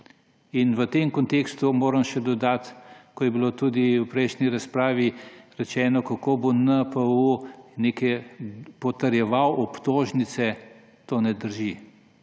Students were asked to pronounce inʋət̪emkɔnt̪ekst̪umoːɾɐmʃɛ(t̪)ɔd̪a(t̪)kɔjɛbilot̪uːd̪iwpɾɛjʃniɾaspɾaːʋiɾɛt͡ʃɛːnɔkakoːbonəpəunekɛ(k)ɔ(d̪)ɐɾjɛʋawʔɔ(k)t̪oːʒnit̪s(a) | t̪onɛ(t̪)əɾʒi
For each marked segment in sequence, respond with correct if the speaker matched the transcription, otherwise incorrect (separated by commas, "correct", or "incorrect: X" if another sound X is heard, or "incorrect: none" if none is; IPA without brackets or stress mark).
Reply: incorrect: d̪, correct, incorrect: p, incorrect: t̪, incorrect: p, incorrect: ɛ, incorrect: d̪